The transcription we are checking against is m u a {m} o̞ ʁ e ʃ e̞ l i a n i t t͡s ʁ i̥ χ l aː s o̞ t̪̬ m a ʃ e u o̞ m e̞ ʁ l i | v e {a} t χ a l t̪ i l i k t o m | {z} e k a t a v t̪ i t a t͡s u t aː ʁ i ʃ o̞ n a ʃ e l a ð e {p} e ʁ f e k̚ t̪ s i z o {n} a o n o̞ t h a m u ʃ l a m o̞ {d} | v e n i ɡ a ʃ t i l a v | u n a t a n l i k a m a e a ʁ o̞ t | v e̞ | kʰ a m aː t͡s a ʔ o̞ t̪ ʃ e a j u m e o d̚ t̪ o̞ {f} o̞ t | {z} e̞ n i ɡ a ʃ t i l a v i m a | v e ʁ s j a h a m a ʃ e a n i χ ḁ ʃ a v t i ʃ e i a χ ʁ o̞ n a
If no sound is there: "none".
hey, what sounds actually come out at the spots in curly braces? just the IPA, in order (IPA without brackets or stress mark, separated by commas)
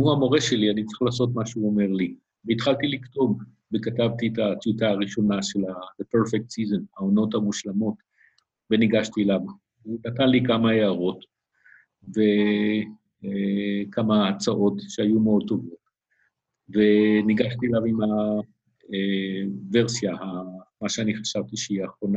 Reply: m, i, v, p, n, t, v, v